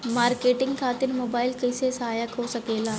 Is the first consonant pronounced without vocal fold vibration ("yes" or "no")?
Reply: no